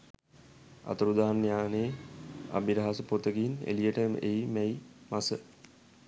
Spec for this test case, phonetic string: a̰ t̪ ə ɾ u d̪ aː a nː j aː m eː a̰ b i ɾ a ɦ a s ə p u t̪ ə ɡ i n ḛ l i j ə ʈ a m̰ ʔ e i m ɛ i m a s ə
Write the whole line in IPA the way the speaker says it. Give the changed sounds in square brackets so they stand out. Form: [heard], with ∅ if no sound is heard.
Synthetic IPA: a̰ t̪ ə ɾ u d̪ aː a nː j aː [n] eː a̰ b i ɾ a ɦ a s ə p [o] t̪ ə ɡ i n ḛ l i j ə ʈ [ə] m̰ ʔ e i m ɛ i m a s ə

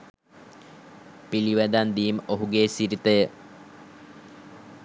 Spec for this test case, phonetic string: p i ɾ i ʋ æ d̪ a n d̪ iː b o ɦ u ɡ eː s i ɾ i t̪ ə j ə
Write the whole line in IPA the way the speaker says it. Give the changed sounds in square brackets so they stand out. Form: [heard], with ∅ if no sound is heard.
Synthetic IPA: p i [l] i ʋ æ d̪ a n d̪ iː [m] o ɦ u ɡ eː s i ɾ i t̪ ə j ə

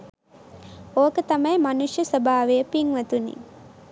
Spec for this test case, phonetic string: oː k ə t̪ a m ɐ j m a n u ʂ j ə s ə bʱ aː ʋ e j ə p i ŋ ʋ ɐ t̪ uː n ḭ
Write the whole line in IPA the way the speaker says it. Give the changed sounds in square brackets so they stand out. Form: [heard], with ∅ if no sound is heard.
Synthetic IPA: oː k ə t̪ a m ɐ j m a n u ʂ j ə s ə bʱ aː ʋ e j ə p i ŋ ʋ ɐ t̪ [u] n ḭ

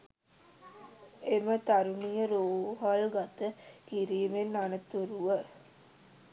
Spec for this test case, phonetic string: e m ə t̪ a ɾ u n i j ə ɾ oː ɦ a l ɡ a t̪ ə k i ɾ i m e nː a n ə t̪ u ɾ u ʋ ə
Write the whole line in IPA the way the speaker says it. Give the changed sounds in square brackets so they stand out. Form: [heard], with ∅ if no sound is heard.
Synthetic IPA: e m ə t̪ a ɾ u n i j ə ɾ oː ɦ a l ɡ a t̪ ə k i ɾ [iː] m e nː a n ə t̪ u ɾ u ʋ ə

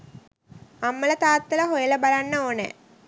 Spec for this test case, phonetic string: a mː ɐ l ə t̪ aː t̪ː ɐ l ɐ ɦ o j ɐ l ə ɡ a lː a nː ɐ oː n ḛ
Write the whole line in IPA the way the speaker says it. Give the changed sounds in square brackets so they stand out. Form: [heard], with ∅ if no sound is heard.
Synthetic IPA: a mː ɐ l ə t̪ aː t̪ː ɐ l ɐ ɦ o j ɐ l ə [b] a [l] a nː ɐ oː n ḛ

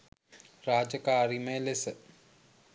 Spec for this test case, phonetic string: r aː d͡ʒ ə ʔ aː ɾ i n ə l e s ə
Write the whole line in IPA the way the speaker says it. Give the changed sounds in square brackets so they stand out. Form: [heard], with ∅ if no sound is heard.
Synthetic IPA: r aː d͡ʒ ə [k] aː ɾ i [m] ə l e s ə

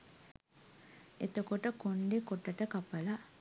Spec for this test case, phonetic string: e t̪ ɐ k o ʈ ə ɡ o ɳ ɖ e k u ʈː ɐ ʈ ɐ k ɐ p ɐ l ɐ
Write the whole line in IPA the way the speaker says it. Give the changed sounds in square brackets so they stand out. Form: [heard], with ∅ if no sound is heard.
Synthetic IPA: e t̪ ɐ k o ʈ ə [k] o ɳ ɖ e k [o] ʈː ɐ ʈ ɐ k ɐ p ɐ l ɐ

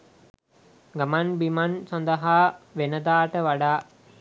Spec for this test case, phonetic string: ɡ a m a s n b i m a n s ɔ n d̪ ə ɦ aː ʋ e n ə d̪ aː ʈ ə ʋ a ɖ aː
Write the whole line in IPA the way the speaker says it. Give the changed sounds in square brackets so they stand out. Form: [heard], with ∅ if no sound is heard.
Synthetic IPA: ɡ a m a [∅] n b i m a n s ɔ n d̪ ə ɦ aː ʋ e n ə d̪ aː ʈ ə ʋ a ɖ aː

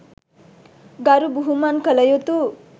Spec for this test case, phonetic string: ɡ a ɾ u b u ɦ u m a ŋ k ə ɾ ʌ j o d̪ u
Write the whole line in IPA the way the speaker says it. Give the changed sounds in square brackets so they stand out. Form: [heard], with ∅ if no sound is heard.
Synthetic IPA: ɡ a ɾ u b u ɦ u m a [n] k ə [l] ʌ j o [t̪] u

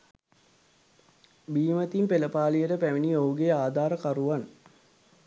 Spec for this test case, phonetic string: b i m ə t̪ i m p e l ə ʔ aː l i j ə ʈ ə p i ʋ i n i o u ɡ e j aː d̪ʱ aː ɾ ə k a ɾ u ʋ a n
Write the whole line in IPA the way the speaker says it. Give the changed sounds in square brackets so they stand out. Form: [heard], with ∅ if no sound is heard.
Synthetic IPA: b [iː] m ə t̪ i m p e l ə [p] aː l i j ə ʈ ə p [æ] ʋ i n i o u ɡ e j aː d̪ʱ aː ɾ ə k a ɾ u ʋ a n

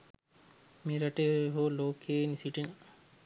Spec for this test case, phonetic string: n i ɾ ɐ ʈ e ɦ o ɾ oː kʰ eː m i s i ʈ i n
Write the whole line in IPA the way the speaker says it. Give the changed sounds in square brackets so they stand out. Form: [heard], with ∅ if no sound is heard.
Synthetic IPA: [m] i ɾ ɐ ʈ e ɦ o [l] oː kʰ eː [n] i s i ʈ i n

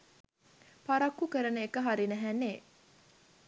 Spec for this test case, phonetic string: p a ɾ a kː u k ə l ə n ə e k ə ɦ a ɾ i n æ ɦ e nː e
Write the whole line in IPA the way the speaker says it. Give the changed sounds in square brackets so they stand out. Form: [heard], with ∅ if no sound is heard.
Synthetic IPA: p a ɾ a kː u k ə [ɾ] ə n ə e k ə ɦ a ɾ i n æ ɦ [æ] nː e

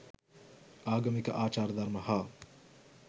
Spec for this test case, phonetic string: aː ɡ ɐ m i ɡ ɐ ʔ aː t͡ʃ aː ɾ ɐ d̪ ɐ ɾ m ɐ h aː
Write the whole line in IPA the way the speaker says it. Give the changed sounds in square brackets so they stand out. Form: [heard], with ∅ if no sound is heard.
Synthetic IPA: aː ɡ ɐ m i [k] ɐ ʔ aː t͡ʃ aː ɾ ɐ d̪ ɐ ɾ m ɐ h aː

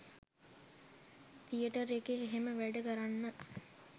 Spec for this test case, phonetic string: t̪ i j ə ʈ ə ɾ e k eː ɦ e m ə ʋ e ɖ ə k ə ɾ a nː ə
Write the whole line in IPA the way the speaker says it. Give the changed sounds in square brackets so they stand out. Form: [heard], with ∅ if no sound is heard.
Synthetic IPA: t̪ i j ə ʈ ə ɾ e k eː ɦ e m ə ʋ [æ] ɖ ə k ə ɾ a nː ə

